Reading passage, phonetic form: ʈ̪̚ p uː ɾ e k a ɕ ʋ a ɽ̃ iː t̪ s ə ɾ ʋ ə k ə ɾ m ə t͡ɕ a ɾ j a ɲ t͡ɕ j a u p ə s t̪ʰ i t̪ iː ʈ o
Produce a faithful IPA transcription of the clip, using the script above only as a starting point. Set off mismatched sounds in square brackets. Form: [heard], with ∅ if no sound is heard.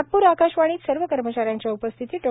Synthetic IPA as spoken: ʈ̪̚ p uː ɾ [a] k a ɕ ʋ a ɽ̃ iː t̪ s ə ɾ ʋ ə k ə ɾ m ə t͡ɕ a ɾ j a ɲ t͡ɕ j a u p ə s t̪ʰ i t̪ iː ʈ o